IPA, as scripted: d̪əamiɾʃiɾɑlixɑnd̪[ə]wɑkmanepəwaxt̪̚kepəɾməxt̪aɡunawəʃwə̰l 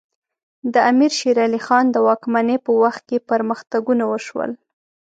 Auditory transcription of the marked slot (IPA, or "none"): ə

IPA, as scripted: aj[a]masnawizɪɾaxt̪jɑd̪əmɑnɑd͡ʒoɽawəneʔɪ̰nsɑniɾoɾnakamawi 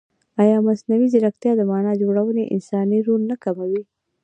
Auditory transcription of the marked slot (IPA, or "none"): ɑ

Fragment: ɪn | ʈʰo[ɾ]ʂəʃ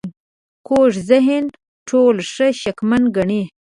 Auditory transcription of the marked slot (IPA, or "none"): l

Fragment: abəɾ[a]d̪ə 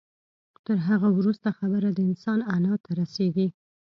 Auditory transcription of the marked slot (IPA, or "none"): a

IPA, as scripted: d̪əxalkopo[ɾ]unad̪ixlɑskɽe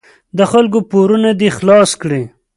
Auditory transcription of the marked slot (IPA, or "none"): ɾ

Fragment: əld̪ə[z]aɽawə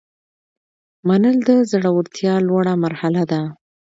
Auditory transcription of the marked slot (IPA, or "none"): z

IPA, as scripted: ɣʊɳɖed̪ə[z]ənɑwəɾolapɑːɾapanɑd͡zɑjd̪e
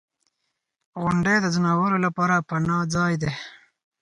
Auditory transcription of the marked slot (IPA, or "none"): z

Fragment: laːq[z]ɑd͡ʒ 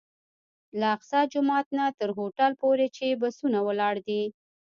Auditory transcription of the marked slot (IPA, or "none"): s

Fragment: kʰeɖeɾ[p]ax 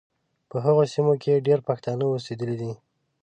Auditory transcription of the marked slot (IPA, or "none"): p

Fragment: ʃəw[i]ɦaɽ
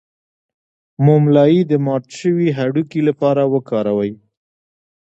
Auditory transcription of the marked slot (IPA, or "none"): i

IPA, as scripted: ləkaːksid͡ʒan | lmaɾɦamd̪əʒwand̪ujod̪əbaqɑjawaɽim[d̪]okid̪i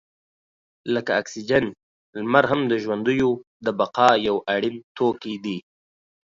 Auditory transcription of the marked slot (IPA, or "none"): t̪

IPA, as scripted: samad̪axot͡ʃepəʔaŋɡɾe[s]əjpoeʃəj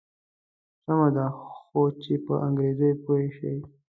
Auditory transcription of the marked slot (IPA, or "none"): z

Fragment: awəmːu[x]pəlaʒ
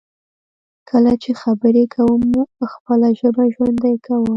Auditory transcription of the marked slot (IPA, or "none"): x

